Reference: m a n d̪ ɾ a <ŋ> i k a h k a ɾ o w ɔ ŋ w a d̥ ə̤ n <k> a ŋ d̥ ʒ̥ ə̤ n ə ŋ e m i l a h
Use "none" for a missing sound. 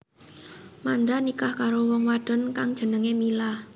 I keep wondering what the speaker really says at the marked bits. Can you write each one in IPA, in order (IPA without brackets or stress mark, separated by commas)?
n, k